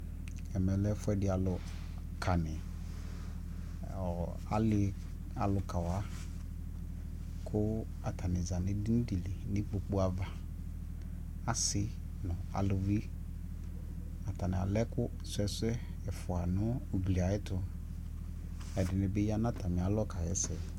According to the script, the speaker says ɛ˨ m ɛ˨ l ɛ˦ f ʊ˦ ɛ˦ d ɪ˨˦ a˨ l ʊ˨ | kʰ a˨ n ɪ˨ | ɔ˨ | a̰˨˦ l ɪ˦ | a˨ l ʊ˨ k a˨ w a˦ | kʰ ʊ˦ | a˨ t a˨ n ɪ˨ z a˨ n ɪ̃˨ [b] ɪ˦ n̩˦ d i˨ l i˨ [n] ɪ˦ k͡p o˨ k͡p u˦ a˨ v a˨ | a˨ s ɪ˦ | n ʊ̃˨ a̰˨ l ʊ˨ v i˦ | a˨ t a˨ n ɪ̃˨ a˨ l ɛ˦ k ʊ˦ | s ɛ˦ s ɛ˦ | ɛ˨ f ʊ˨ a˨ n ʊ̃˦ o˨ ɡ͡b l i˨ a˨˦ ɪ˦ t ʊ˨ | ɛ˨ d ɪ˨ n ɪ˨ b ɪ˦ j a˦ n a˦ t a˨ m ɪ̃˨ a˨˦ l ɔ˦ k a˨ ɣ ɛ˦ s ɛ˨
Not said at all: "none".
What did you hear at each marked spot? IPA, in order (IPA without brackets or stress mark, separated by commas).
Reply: d, n